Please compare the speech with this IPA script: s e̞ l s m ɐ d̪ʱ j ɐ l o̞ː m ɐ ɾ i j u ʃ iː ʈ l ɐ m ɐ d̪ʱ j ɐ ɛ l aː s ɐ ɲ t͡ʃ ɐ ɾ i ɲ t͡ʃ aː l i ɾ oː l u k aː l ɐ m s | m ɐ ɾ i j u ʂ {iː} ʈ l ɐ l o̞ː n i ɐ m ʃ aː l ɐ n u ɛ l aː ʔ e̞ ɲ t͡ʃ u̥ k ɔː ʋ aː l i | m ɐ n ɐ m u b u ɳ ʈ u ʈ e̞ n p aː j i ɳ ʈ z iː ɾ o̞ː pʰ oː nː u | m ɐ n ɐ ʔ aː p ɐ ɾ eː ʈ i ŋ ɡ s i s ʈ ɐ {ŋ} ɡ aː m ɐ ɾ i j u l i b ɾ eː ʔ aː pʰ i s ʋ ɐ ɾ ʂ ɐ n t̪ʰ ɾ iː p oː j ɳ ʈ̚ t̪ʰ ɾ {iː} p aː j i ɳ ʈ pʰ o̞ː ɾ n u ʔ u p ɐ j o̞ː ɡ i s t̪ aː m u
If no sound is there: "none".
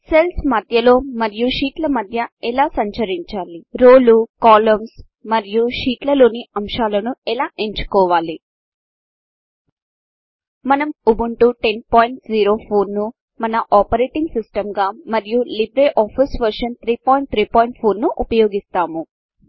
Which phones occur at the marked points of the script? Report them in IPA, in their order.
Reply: iː, m, iː

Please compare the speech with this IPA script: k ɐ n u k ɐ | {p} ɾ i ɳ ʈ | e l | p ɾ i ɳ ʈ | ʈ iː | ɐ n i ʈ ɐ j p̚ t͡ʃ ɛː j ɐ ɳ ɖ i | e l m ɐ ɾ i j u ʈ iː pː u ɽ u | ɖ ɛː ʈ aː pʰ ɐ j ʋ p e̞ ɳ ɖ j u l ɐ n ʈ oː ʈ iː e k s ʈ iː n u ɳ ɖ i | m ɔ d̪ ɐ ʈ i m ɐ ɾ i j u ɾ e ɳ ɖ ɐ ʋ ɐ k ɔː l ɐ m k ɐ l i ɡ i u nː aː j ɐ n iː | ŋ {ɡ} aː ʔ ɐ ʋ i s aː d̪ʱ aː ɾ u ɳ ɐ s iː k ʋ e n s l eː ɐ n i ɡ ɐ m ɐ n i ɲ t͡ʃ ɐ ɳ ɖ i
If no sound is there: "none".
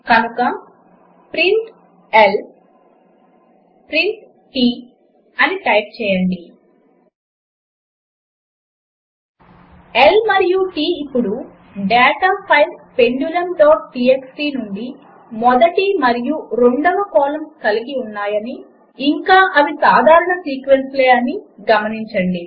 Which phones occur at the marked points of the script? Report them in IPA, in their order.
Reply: p, k

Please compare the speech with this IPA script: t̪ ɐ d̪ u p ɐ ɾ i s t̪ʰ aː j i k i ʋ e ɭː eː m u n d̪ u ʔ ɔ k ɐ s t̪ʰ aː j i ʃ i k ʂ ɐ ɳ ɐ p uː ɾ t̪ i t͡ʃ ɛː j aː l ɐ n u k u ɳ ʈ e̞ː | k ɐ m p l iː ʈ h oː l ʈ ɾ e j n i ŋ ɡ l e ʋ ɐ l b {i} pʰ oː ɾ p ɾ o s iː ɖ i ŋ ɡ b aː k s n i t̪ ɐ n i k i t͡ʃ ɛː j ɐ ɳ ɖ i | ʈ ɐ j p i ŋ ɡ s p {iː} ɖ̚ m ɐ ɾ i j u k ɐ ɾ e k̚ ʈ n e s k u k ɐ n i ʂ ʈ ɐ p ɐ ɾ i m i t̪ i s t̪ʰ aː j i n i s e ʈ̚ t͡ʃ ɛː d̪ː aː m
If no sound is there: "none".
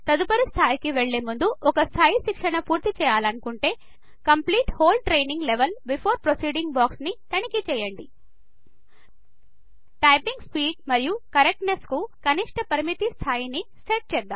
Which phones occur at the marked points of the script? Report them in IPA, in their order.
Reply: i, iː

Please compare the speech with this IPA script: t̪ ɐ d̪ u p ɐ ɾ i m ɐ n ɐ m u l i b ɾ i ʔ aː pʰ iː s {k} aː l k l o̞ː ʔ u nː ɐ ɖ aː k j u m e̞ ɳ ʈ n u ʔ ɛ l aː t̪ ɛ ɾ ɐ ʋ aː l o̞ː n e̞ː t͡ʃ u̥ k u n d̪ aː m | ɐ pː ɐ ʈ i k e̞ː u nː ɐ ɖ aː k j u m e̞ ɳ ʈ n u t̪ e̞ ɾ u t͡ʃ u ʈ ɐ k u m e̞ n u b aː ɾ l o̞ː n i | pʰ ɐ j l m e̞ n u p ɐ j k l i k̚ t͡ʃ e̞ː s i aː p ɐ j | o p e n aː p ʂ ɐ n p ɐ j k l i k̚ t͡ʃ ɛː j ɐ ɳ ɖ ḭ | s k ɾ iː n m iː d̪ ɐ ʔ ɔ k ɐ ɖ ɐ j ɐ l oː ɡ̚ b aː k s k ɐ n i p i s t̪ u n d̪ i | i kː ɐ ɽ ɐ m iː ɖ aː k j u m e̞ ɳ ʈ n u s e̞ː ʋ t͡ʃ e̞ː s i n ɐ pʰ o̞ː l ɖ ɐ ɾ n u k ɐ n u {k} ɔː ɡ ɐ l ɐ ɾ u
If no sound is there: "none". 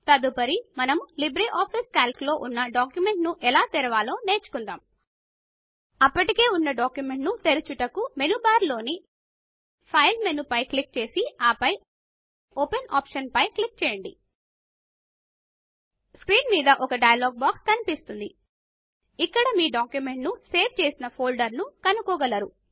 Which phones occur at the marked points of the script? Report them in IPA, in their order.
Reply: k, k

